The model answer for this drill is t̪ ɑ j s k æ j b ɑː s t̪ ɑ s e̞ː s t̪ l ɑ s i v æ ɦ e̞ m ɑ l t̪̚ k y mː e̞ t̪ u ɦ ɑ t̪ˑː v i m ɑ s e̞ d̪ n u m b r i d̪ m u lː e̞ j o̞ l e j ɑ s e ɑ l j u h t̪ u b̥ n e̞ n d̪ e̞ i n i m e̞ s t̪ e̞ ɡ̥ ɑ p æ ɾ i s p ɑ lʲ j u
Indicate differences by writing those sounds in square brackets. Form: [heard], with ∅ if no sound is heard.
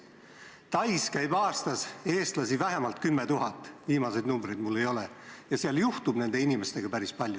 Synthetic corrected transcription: t̪ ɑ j s k æ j b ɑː s t̪ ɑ s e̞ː s t̪ l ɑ s i v æ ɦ e̞ m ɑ l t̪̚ k y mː e̞ t̪ u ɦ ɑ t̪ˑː v [iː] m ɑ s e̞ d̪ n u m b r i d̪ m u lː e̞ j o̞ l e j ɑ s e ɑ l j u h t̪ u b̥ n e̞ n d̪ e̞ i n i m e̞ s t̪ e̞ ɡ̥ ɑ p æ ɾ i s p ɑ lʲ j u

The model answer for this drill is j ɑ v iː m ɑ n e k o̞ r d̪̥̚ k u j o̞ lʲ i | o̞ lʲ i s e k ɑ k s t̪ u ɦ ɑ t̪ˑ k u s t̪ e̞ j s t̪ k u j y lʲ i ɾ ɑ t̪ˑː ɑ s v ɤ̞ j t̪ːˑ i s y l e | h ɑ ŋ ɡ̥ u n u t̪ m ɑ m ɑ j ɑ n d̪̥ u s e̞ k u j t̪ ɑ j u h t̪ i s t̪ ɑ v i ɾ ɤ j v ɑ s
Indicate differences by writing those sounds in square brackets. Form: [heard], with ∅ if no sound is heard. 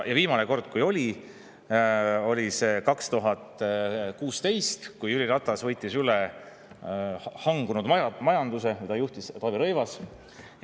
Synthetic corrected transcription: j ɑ v iː m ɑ n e k o̞ r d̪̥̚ k u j o̞ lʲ i | o̞ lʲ i s e k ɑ k s t̪ u ɦ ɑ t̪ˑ k [uː] s t̪ e̞ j s t̪ k u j y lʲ i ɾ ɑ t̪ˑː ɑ s v ɤ̞ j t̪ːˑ i s y l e | h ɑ ŋ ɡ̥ u n u [d̪] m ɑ m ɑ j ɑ n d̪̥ u s e̞ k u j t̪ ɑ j u h t̪ i s t̪ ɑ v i ɾ ɤ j v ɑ s

